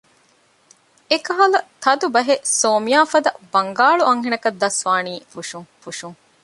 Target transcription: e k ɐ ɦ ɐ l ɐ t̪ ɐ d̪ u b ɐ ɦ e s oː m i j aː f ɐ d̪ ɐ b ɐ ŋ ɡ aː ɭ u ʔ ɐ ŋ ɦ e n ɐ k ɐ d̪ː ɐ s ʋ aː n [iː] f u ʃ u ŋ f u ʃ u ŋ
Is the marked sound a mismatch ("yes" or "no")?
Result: no